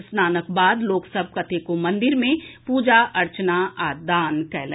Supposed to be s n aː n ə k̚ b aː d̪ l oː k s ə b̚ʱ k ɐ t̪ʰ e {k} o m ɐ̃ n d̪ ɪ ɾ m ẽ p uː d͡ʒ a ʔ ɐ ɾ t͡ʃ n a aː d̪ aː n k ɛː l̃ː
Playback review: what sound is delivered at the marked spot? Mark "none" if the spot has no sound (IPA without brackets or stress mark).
k